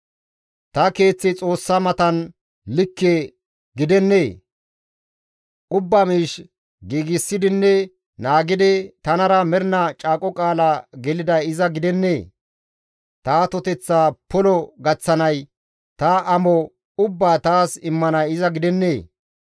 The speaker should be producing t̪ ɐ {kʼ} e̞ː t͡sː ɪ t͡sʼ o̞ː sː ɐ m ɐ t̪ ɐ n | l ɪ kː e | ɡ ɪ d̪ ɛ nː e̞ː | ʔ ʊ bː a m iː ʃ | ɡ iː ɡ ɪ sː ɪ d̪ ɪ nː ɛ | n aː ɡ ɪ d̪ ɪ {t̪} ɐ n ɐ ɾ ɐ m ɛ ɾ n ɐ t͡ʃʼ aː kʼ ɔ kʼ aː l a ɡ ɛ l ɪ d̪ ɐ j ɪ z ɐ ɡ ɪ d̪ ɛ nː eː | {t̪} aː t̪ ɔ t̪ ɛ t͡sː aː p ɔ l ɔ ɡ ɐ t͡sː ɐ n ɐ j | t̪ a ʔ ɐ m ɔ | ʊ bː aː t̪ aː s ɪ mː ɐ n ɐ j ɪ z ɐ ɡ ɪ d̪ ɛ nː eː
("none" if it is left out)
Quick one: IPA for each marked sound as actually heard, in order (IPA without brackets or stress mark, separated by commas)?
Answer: k, t̪, t̪